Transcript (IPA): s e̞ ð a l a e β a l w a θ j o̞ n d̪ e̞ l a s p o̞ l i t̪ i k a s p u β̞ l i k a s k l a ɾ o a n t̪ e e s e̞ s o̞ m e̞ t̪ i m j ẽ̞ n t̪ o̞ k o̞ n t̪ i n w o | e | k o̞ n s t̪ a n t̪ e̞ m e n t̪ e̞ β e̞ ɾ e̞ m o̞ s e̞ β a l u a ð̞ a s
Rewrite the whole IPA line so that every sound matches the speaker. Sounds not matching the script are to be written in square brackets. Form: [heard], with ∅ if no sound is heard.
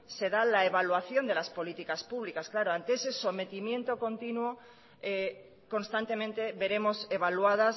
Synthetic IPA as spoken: s e̞ ð a l a e β a l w a θ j o̞ n d̪ e̞ l a s p o̞ l i t̪ i k a s p u β̞ l i k a s k l a ɾ o a n t̪ e e s e̞ s o̞ m e̞ t̪ i m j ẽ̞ n t̪ o̞ k o̞ n t̪ i n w o | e | k o̞ n s t̪ a n t̪ e̞ m [ẽ] n t̪ e̞ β e̞ ɾ e̞ m o̞ s e̞ β a l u a ð̞ a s